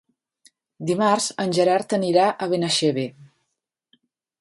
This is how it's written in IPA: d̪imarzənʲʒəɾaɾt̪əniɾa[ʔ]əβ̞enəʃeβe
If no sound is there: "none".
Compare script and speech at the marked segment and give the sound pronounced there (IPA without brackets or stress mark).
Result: ʔ